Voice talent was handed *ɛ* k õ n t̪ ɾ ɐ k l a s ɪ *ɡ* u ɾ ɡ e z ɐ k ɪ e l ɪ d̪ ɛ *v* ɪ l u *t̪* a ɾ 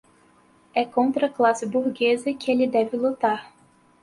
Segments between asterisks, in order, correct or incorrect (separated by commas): correct, incorrect, correct, correct